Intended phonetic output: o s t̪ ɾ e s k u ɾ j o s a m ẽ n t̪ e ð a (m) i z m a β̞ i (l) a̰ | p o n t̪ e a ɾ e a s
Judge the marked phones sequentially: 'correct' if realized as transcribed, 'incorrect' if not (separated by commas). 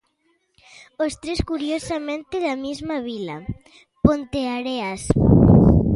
correct, correct